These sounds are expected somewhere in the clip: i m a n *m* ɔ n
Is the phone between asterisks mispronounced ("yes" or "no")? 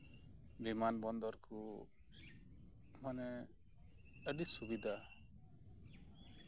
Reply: yes